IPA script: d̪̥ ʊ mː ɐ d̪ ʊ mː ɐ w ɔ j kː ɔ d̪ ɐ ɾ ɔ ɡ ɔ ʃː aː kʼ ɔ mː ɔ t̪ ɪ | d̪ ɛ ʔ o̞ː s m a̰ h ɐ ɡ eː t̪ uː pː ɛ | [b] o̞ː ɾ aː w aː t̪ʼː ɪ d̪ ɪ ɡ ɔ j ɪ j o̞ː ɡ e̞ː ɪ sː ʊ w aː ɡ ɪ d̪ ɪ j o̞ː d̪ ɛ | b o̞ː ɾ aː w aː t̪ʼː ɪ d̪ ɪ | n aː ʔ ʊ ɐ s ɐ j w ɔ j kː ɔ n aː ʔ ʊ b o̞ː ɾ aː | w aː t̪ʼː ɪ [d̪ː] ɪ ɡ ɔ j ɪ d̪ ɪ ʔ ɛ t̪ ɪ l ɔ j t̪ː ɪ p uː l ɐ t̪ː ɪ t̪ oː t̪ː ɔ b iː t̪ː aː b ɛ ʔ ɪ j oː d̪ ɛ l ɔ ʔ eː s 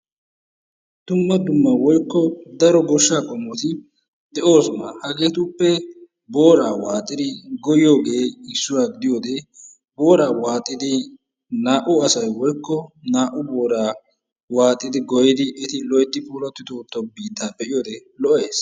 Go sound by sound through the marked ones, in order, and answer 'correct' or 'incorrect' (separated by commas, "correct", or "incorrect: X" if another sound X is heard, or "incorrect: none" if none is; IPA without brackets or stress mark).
correct, incorrect: d̪